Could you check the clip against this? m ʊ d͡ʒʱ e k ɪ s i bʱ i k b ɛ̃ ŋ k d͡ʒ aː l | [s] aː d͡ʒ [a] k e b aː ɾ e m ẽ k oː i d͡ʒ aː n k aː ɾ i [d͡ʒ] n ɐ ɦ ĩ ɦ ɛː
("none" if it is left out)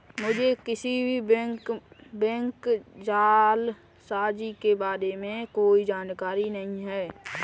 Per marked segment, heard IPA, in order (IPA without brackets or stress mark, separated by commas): s, i, none